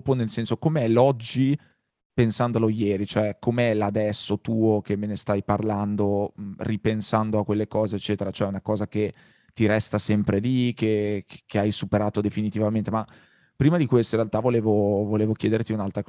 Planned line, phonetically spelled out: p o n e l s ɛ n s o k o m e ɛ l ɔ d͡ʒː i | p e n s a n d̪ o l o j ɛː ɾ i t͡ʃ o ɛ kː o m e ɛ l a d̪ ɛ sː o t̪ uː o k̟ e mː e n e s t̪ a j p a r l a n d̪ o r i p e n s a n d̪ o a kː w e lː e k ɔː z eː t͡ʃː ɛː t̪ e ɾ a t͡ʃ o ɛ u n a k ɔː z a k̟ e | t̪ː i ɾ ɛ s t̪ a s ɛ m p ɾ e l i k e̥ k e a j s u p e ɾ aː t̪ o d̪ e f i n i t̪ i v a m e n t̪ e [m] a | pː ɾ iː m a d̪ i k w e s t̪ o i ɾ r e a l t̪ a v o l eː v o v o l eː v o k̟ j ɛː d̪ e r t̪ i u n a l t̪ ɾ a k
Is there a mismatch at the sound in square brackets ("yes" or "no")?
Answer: no